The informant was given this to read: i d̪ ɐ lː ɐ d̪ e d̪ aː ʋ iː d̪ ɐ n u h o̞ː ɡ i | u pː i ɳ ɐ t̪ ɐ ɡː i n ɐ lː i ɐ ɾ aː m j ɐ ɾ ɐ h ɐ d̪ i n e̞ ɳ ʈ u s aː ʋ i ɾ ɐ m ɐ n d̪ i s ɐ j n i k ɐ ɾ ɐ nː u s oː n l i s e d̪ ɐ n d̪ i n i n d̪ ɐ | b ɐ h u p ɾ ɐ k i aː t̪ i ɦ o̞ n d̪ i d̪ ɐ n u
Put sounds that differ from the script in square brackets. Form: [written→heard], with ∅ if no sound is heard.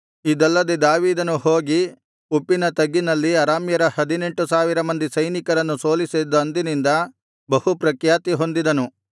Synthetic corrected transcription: i d̪ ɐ lː ɐ d̪ e d̪ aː ʋ iː d̪ ɐ n u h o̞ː ɡ i | u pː i [ɳ→n] ɐ t̪ ɐ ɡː i n ɐ lː i ɐ ɾ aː m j ɐ ɾ ɐ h ɐ d̪ i n e̞ ɳ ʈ u s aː ʋ i ɾ ɐ m ɐ n d̪ i s ɐ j n i k ɐ ɾ ɐ nː u s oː [n→∅] l i s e d̪ ɐ n d̪ i n i n d̪ ɐ | b ɐ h u p ɾ ɐ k [i→j] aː t̪ i ɦ o̞ n d̪ i d̪ ɐ n u